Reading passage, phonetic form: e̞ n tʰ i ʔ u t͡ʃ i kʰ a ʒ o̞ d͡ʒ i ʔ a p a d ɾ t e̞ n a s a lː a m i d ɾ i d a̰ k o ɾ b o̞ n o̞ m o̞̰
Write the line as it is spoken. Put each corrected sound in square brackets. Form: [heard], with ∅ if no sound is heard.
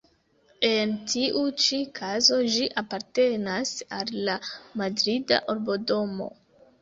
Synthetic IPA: e̞ n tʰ i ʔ u t͡ʃ i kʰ a [z] o̞ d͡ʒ i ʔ a p a [∅] ɾ t e̞ n a s a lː a m [a] d ɾ i d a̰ [ʔ] o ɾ b o̞ [d] o̞ m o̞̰